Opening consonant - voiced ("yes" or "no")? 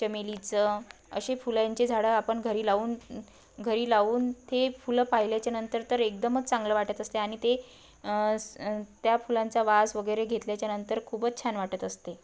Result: no